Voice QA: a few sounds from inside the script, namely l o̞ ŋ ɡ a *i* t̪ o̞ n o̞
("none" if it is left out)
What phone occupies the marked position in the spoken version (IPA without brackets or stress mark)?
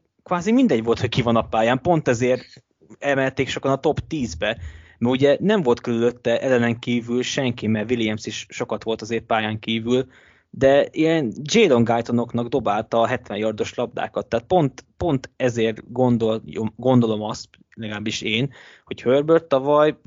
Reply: j